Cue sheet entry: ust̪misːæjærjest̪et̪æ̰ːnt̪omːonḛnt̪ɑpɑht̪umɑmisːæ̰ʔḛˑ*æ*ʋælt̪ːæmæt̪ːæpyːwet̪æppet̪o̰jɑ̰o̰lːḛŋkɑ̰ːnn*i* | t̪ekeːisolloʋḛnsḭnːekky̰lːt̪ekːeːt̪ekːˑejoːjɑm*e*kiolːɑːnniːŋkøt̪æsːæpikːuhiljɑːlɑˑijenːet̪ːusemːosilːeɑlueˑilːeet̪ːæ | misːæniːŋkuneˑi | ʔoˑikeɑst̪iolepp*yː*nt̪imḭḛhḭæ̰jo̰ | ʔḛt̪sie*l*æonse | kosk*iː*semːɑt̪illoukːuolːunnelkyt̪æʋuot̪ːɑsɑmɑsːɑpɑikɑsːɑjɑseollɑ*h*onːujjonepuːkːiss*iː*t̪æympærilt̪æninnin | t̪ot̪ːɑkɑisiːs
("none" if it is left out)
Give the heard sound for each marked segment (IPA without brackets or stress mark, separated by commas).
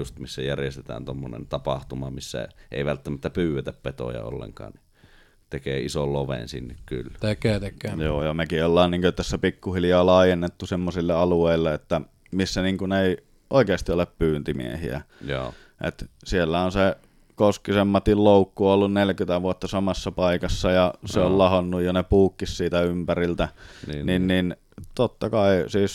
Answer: i, i, e, yː, lː, i, h, iː